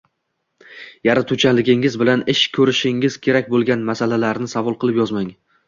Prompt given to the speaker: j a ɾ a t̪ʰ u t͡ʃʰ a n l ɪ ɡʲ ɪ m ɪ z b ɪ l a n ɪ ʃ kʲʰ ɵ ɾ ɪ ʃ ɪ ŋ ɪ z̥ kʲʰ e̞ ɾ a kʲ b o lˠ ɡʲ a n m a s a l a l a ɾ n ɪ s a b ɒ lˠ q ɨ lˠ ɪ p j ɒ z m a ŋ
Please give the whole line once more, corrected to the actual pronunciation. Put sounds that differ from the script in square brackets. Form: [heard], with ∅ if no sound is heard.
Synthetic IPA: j a ɾ a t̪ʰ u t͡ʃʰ a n l ɪ ɡʲ ɪ [ŋ] ɪ z b ɪ l a n ɪ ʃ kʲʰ ɵ ɾ ɪ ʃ ɪ ŋ ɪ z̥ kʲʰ e̞ ɾ a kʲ b o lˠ ɡʲ a n m a s a l a l a ɾ n ɪ s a [v] ɒ lˠ q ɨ lˠ ɪ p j ɒ z m a ŋ